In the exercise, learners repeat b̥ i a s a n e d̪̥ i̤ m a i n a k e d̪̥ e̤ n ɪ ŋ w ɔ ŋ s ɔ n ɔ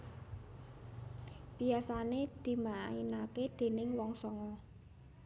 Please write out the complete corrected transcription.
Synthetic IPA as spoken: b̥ i a s a n e d̪̥ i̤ m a i n a k e d̪̥ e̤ n ɪ ŋ w ɔ ŋ s ɔ ŋ ɔ